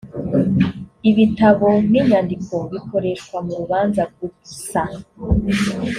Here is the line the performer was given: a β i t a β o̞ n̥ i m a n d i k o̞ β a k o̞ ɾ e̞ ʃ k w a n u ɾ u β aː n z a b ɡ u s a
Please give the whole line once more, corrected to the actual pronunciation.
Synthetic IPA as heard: i β i t a β o̞ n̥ i ɲ a n d i k o̞ β i k o̞ ɾ e̞ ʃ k w a m u ɾ u β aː n z a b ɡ u s a